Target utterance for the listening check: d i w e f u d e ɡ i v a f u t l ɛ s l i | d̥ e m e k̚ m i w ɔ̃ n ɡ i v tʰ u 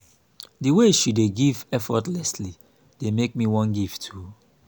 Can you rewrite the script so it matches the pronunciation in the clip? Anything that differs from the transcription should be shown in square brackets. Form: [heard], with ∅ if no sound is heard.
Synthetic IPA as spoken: d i w e [ʃ] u d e ɡ i v [ɛ] f [ɔ] t l ɛ s l i | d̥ e m e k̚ m i w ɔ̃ n ɡ i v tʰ u